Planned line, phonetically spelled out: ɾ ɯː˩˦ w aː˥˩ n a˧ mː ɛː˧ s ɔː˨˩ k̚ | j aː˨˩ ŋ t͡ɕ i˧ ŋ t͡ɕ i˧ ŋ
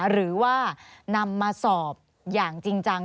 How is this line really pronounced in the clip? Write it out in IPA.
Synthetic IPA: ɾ ɯː˩˦ w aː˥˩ n a˧ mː aː˧ s ɔː˨˩ p̚ | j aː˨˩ ŋ t͡ɕ i˧ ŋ t͡ɕ a˧ ŋ